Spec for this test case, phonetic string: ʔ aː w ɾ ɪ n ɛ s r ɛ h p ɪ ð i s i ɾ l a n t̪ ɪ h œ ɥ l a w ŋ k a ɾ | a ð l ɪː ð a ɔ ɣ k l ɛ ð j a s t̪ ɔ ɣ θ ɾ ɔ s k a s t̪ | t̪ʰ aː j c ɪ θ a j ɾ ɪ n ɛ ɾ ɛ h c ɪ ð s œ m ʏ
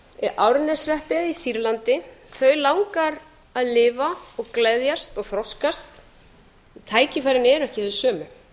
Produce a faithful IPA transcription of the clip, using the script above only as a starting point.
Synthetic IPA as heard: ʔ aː w ɾ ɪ n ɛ s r ɛ h p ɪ ð i s i ɾ l a n t̪ ɪ θ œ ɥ l a w ŋ k a ɾ | a ð l ɪː v a ɔ ɣ k l ɛ ð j a s t̪ ɔ ɣ θ ɾ ɔ s k a s t̪ | t̪ʰ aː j c ɪ f a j ɾ ɪ n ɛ ɾ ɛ h c ɪ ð s œː m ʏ